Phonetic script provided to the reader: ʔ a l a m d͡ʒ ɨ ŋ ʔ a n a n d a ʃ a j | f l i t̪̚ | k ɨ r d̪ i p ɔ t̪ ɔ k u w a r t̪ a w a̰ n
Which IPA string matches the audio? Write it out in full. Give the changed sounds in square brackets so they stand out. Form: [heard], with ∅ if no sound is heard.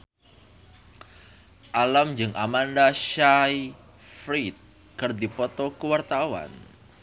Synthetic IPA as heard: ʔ a l a m d͡ʒ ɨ ŋ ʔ a [m] a n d a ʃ a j | f [ɾ] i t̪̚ | k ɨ r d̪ i p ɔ t̪ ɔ k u w a r t̪ a w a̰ n